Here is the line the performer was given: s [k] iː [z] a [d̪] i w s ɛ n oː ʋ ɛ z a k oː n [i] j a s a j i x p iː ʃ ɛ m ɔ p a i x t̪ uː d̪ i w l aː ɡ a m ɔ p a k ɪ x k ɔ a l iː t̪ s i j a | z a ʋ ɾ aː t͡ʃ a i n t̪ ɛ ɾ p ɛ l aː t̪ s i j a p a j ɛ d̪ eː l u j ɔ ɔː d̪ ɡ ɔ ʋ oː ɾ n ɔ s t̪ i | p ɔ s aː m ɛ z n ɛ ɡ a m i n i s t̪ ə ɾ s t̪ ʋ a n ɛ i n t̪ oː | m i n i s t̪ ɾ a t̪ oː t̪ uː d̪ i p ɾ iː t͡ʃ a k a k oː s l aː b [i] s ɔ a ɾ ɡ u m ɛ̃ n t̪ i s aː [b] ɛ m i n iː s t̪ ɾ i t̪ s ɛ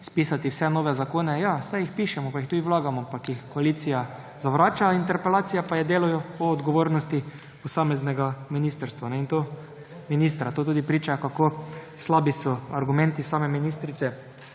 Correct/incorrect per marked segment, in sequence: incorrect: p, incorrect: s, incorrect: t̪, incorrect: ɛ, correct, incorrect: m

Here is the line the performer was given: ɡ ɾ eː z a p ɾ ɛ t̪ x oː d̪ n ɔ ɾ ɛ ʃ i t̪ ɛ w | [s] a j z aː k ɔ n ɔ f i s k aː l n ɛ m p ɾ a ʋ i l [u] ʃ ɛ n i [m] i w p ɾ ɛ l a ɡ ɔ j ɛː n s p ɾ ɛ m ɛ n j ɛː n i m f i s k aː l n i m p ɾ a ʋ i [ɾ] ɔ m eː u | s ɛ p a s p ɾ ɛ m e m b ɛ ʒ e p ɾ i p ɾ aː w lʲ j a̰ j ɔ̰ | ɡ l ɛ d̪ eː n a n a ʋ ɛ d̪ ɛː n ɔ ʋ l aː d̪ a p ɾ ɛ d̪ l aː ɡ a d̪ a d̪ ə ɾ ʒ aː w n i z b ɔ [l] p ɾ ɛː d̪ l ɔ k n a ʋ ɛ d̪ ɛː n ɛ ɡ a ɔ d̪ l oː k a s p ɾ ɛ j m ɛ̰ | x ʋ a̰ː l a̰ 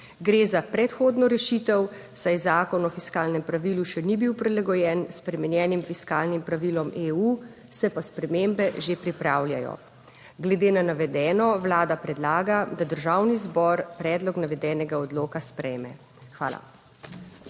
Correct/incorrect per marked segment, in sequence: correct, correct, incorrect: b, incorrect: l, incorrect: ɾ

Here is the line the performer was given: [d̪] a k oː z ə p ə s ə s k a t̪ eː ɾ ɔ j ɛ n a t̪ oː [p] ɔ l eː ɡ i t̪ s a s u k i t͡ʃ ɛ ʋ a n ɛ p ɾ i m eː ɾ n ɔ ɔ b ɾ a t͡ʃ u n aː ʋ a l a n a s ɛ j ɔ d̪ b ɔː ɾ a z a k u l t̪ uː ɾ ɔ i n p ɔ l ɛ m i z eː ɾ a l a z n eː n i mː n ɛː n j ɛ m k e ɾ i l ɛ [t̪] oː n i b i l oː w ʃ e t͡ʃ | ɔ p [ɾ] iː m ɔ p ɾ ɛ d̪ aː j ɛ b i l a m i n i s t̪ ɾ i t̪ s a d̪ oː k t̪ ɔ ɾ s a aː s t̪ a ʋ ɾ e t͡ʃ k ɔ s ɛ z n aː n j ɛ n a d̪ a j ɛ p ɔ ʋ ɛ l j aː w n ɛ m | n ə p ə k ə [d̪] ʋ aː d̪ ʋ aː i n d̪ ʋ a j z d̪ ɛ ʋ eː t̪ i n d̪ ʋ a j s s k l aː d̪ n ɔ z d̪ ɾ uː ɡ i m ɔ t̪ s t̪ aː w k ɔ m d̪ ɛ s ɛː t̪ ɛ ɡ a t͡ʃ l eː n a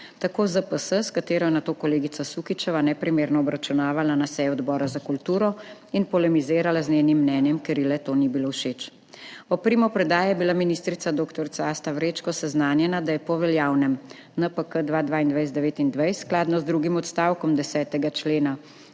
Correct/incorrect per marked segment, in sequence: incorrect: t̪, incorrect: k, correct, correct, correct

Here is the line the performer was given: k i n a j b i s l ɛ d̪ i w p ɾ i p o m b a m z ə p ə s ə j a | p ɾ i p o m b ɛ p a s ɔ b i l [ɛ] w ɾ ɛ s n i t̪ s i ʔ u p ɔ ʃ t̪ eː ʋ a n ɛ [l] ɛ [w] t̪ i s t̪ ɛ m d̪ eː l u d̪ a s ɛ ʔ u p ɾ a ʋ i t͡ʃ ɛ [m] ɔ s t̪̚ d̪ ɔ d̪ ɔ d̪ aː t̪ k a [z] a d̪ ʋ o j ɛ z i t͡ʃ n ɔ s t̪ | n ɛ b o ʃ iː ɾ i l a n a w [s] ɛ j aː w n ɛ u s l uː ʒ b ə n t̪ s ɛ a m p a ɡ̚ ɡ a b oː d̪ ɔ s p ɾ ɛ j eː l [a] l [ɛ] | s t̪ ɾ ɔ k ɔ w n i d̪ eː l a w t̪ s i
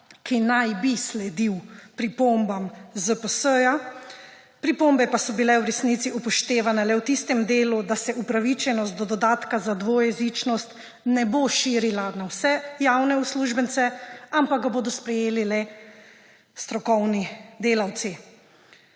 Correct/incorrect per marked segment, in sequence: correct, correct, correct, incorrect: n, correct, correct, incorrect: i, correct

